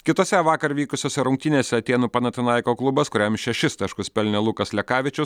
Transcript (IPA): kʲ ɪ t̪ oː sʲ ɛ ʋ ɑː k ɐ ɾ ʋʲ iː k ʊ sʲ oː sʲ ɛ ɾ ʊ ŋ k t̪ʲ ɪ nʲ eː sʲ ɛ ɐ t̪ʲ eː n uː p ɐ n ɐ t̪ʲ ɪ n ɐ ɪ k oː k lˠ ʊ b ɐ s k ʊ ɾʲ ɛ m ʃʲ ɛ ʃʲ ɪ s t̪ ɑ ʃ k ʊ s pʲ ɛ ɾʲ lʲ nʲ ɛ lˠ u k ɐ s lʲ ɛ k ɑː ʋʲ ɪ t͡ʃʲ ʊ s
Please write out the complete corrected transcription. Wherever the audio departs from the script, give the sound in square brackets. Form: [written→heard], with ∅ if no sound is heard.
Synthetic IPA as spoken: kʲ ɪ t̪ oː sʲ ɛ ʋ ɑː k ɐ ɾ ʋʲ iː k ʊ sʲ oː sʲ ɛ ɾ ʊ ŋ k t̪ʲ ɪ nʲ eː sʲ ɛ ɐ t̪ʲ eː n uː p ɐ n ɐ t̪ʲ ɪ n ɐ ɪ k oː k lˠ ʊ b ɐ s k ʊ ɾʲ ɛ m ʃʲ ɛ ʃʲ ɪ s t̪ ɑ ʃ k ʊ s pʲ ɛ [ɾʲ→∅] lʲ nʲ ɛ lˠ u k ɐ s lʲ ɛ k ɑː ʋʲ ɪ t͡ʃʲ ʊ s